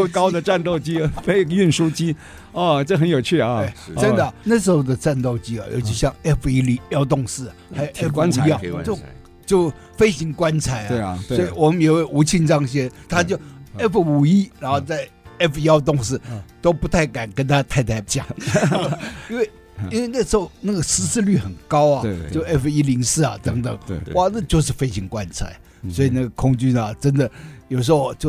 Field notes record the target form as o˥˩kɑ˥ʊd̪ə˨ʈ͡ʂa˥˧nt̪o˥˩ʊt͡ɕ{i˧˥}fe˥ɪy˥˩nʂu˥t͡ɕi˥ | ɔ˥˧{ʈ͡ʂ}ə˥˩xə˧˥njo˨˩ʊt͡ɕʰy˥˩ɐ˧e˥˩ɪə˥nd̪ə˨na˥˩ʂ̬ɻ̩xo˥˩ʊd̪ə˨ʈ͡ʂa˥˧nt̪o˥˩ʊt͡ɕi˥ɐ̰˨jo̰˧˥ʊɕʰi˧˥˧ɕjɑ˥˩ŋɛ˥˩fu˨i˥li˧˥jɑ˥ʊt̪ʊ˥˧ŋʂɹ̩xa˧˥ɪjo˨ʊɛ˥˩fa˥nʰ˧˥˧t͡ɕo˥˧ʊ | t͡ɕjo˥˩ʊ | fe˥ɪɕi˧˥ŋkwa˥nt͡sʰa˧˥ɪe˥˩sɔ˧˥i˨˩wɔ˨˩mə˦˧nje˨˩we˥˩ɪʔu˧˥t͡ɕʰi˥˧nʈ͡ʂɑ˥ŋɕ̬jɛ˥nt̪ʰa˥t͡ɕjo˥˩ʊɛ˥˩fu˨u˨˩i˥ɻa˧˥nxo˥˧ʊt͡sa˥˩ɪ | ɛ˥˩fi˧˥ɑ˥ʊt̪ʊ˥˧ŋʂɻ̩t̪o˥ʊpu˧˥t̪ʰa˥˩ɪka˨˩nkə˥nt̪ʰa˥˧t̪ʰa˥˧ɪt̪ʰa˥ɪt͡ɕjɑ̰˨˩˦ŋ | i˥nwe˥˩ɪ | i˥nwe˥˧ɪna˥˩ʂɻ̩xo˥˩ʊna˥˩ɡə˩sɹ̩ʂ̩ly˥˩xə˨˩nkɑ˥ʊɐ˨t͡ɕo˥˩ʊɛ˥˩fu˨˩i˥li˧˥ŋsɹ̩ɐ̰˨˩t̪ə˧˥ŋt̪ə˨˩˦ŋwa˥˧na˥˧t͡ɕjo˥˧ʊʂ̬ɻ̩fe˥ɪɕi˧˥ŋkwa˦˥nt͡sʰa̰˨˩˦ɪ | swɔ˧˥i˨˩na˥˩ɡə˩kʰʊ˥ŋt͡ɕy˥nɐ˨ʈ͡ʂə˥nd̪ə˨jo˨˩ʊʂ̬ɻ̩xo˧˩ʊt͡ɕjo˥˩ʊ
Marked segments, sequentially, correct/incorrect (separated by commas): incorrect, correct